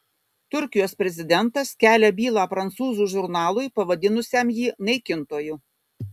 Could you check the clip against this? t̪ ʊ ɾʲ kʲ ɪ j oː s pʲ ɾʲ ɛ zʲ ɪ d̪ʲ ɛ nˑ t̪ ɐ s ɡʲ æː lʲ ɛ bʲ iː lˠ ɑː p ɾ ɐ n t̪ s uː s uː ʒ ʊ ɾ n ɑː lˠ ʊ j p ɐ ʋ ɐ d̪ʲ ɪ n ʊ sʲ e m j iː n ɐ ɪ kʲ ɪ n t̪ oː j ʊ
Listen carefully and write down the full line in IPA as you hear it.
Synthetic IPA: t̪ ʊ ɾʲ kʲ ɪ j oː s pʲ ɾʲ ɛ zʲ ɪ d̪ʲ ɛ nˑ t̪ ɐ s kʲ æː lʲ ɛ bʲ iː lˠ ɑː p ɾ ɐ n t̪ s uː z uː ʒ ʊ ɾ n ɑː lˠ ʊ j p ɐ ʋ ɐ d̪ʲ ɪ n ʊ sʲ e m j iː n ɐ ɪ kʲ ɪ n t̪ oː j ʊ